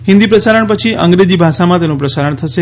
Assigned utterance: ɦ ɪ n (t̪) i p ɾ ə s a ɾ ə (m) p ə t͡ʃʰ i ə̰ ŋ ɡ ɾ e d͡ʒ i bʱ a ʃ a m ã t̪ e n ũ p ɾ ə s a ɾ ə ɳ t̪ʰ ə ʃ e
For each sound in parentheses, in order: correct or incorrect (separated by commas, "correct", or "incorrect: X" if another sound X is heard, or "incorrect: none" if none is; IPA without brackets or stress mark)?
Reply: incorrect: d̪, incorrect: ɳ